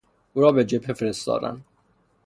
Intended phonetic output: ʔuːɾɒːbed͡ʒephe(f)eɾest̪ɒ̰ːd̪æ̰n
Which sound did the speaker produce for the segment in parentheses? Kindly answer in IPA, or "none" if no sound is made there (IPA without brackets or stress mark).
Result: f